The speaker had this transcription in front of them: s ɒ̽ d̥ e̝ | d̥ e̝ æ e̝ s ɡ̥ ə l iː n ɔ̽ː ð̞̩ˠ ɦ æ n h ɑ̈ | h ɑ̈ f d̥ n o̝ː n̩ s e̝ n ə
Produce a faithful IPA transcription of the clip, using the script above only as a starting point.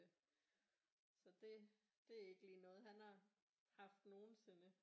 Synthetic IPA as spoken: s ɒ̽ d̥ e̝ | d̥ e̝ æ e̝ ɡ̥ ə l iː n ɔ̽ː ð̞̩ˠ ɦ æ n h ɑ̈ | h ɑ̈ f d̥ n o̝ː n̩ s e̝ n ə